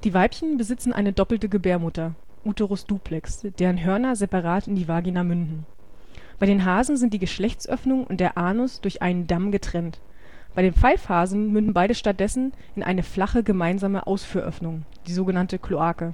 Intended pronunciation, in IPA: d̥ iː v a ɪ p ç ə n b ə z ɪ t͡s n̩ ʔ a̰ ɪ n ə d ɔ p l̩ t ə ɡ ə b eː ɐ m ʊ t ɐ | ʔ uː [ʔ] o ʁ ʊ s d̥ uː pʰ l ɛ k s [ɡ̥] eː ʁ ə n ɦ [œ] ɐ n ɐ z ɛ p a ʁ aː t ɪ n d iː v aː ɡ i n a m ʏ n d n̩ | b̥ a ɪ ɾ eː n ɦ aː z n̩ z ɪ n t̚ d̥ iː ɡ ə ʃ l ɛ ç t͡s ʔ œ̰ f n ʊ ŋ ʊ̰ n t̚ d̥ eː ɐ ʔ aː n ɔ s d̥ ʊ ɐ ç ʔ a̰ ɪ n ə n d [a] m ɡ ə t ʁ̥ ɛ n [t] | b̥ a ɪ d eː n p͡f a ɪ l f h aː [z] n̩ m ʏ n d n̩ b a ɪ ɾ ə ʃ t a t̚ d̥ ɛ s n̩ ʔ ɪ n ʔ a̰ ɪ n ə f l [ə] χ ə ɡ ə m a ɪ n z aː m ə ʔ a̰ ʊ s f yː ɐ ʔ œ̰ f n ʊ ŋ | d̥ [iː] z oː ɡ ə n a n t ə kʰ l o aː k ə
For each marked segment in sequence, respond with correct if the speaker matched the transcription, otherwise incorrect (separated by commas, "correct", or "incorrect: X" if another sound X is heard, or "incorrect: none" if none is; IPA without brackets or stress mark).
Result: incorrect: t, incorrect: d̥, correct, correct, correct, correct, incorrect: a, correct